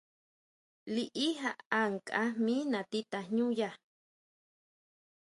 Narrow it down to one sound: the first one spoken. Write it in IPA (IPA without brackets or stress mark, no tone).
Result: l